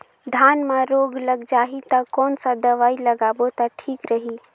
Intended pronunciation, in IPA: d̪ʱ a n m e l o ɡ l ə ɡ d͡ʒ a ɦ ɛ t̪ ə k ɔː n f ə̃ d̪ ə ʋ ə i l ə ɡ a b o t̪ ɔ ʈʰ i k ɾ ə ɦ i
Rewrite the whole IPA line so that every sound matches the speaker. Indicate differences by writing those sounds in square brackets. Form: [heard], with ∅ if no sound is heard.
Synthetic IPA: d̪ʱ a n m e [ɾ] o ɡ l ə ɡ d͡ʒ a ɦ [i] t̪ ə k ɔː n [s] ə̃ d̪ ə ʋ [a] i l ə ɡ a b o t̪ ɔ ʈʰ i k ɾ ə ɦ i